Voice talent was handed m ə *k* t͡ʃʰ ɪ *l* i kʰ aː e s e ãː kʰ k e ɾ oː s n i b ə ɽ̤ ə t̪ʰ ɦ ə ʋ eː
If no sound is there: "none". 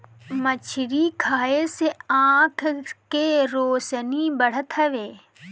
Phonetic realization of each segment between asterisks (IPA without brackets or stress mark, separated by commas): none, ɾ